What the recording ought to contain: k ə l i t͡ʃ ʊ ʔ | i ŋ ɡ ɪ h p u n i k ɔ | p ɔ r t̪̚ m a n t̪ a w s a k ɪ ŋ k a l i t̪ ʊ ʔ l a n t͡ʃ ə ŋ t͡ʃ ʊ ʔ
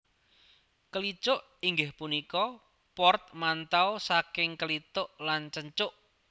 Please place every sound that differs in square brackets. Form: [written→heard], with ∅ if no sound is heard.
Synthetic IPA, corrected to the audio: k ə l i t͡ʃ ʊ ʔ | i ŋ ɡ ɪ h p u n i k ɔ | p ɔ r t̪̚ m a n t̪ a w s a k ɪ ŋ k [a→ə] l i t̪ ʊ ʔ l a n t͡ʃ ə [ŋ→ɲ] t͡ʃ ʊ ʔ